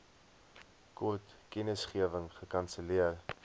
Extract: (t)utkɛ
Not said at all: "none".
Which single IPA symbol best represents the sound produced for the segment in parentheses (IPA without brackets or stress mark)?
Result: k